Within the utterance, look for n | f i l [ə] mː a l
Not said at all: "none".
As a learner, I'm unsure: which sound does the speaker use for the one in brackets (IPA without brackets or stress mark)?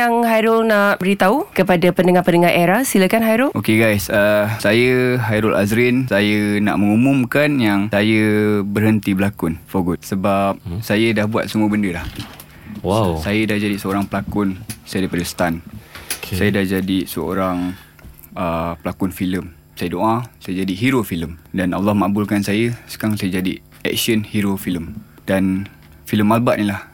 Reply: ə